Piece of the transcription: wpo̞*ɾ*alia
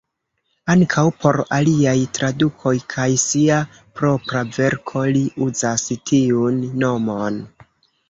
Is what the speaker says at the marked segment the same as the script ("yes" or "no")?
yes